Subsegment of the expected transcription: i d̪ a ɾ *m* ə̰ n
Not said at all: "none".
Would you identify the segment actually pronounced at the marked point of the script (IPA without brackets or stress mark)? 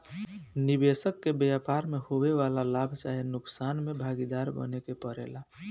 b